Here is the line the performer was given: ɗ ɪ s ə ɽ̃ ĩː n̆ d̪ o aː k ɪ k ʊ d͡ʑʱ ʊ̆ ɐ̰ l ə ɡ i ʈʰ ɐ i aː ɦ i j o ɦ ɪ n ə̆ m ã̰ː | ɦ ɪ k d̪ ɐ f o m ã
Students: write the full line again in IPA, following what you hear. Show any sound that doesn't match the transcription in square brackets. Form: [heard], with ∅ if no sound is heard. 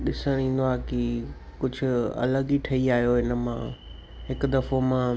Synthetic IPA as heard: ɗ ɪ s ə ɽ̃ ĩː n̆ d̪ o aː k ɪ k ʊ d͡ʑʱ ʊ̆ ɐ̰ l ə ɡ i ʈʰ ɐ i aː ɦ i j o ɦ ɪ n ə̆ m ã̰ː | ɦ ɪ k d̪ ɐ f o m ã